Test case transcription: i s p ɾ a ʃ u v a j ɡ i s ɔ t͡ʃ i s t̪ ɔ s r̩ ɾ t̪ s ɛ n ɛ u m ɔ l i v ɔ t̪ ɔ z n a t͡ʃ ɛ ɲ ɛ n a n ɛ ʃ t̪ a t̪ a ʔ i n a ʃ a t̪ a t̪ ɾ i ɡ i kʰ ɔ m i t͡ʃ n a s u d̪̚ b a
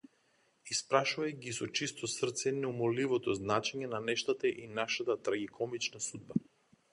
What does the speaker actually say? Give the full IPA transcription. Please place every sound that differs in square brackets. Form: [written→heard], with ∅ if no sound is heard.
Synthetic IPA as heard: i s p ɾ a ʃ u v a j ɡ i s ɔ t͡ʃ i s t̪ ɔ s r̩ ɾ t̪ s ɛ n ɛ u m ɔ l i v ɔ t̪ ɔ z n a t͡ʃ ɛ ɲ ɛ n a n ɛ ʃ t̪ a t̪ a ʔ i n a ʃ a t̪ a t̪ ɾ [i→a] ɡ i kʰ ɔ m i t͡ʃ n a s u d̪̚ b a